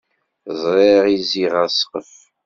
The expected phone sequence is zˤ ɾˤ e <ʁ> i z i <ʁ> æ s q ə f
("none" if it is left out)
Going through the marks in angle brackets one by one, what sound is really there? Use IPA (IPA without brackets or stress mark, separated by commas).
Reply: ʁ, ʁ